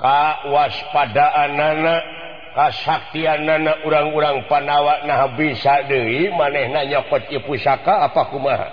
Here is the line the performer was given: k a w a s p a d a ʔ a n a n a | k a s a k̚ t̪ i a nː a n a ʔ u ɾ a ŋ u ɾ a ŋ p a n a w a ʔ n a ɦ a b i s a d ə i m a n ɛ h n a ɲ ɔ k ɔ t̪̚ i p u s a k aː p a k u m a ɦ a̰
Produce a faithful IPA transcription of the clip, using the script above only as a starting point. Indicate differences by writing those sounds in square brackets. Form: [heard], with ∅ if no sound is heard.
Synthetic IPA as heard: k a w a s p a d a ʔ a n a n a | k a s a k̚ t̪ i a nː a n a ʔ u ɾ a ŋ u ɾ a ŋ p a n a w a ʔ n a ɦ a b i s a d ə i m a n ɛ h n a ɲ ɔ k ɔ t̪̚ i p u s a k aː p a k u m a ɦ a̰